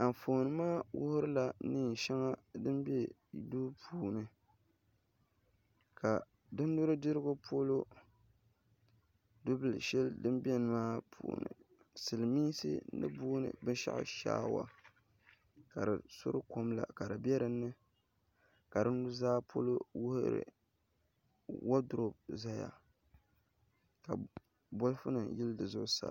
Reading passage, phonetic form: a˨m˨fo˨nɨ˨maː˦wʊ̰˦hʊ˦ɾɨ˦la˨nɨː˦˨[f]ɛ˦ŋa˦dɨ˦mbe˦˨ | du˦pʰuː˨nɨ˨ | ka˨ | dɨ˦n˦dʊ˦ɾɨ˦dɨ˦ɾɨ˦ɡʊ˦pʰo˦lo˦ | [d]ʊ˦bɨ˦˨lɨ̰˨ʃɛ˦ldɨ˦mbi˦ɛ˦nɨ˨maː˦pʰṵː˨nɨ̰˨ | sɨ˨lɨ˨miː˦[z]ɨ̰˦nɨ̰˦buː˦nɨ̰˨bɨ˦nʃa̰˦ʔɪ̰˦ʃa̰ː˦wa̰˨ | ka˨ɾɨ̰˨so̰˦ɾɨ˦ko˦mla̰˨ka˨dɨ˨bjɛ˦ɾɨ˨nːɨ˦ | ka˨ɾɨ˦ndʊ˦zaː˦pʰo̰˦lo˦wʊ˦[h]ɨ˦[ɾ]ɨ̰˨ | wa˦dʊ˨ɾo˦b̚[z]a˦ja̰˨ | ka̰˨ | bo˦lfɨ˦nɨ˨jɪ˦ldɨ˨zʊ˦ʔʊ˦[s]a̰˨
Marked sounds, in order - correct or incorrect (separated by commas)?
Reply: incorrect, correct, incorrect, correct, correct, correct, correct